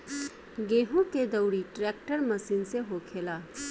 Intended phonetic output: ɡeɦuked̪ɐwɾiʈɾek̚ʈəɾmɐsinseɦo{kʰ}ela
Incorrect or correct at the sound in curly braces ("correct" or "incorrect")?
correct